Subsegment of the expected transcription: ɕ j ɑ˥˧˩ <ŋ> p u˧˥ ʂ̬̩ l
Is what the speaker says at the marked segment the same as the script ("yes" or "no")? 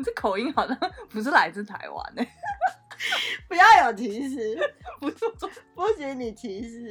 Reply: yes